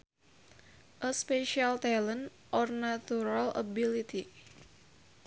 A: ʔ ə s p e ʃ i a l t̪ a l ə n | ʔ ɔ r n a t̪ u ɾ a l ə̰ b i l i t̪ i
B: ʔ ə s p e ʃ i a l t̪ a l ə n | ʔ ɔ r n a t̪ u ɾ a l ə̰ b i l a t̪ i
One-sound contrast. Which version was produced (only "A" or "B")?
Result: A